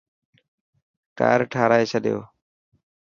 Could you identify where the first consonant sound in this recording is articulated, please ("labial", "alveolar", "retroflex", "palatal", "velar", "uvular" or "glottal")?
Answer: velar